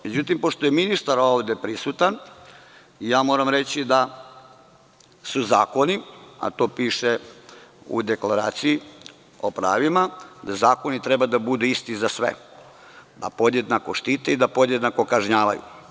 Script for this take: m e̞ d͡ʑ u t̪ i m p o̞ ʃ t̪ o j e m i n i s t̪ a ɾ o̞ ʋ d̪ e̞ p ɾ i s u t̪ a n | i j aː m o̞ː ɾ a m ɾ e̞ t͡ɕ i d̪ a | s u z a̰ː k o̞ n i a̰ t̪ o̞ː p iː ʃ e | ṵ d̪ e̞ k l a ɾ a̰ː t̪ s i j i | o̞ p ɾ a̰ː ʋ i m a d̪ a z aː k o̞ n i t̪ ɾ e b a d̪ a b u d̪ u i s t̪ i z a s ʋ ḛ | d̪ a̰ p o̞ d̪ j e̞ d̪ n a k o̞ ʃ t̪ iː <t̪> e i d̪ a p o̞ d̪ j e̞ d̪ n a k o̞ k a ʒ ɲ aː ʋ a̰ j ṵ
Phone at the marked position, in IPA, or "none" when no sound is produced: t̪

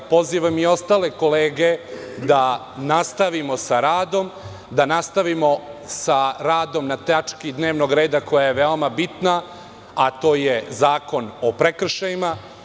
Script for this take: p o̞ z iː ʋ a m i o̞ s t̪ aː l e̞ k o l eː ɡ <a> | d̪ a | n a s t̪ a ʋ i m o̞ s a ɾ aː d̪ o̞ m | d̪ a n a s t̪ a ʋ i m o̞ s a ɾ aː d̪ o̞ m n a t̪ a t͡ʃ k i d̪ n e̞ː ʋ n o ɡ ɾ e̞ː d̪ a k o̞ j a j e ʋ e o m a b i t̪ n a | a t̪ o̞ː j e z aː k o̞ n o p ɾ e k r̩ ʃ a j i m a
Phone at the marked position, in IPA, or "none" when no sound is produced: e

